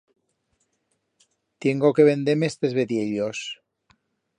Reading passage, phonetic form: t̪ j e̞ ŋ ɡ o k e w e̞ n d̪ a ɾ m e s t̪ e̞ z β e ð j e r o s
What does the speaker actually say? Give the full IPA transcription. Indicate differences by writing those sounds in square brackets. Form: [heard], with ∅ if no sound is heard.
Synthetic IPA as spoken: t̪ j e̞ ŋ ɡ o k e [β] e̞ n d̪ [e] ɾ m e s t̪ e̞ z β e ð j e [ʎ] o s